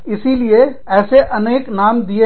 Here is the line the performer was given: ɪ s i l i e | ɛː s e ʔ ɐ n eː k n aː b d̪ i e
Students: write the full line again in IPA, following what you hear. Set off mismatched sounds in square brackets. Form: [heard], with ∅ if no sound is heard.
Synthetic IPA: ɪ s i l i e | ɛː s e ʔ ɐ n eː k n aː [m] d̪ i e